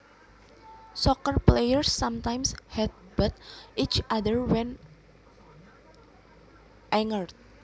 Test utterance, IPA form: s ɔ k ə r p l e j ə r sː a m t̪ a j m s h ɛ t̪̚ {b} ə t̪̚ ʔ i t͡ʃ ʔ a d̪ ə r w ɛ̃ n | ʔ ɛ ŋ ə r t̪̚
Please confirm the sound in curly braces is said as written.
yes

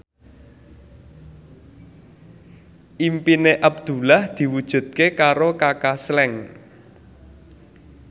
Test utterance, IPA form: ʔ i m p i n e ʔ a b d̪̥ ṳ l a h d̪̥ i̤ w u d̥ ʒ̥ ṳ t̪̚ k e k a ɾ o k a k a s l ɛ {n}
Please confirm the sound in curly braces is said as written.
no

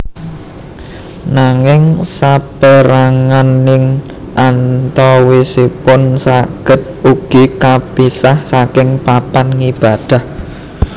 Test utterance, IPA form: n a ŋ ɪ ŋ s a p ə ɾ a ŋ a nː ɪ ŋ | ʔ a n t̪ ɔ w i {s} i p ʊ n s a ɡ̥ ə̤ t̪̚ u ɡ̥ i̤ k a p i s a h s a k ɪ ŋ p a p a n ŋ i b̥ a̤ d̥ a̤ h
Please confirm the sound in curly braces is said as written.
yes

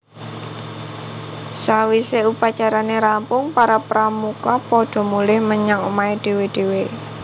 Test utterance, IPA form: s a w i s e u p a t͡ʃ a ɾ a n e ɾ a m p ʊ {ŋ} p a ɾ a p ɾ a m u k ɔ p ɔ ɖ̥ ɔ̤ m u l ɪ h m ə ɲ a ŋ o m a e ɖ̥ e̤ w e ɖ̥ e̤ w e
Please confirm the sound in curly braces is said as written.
yes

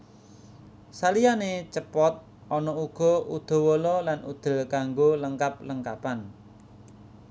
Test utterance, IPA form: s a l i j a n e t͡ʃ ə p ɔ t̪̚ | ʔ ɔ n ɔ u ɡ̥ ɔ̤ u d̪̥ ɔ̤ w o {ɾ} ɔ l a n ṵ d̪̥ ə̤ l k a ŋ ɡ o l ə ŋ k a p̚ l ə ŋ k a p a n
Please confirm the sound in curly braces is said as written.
no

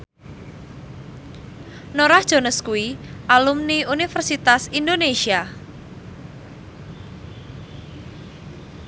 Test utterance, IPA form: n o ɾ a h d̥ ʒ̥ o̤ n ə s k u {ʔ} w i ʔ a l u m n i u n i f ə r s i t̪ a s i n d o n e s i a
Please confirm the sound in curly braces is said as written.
no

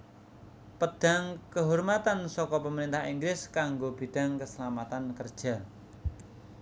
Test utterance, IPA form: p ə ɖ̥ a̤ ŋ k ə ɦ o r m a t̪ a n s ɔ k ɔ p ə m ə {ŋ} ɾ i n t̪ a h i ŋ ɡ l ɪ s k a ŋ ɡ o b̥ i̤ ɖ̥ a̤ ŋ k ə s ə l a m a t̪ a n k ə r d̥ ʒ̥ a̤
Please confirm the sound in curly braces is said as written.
no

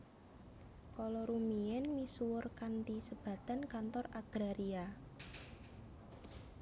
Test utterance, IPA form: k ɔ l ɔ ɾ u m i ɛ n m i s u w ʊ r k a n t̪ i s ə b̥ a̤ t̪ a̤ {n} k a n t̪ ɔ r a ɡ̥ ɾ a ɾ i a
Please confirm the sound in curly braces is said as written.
yes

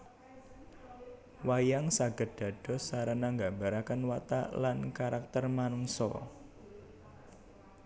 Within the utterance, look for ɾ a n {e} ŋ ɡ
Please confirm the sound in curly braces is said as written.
no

